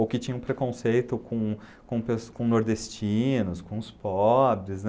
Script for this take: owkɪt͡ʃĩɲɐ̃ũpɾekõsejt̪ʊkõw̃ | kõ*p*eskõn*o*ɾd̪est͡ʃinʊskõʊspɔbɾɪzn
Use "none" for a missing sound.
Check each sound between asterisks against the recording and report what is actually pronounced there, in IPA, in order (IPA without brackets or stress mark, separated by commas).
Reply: p, o